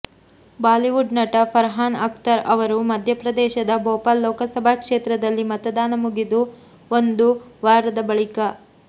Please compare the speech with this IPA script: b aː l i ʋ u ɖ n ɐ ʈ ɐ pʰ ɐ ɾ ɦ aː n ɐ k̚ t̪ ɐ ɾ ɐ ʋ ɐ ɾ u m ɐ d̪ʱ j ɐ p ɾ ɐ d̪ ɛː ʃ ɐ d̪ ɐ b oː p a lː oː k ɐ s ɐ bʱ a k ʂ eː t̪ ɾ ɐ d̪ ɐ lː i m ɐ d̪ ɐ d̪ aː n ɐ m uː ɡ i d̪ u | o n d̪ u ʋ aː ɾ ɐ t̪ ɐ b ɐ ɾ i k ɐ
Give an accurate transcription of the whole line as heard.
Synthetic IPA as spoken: b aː l i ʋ u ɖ n ɐ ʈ ɐ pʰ ɐ ɾ ɦ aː n ɐ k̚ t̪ ɐ ɾ ɐ ʋ ɐ ɾ u m ɐ d̪ʱ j ɐ p ɾ ɐ d̪ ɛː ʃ ɐ d̪ ɐ b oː p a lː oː k ɐ s ɐ bʱ a k ʂ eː t̪ ɾ ɐ d̪ ɐ lː i m ɐ t̪ ɐ d̪ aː n ɐ m u ɡ i d̪ u | o n d̪ u ʋ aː ɾ ɐ d̪ ɐ b ɐ ɭ i k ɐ